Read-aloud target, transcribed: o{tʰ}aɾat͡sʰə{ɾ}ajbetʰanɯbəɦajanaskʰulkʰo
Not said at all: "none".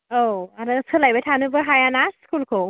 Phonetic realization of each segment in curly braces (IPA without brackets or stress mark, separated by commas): none, l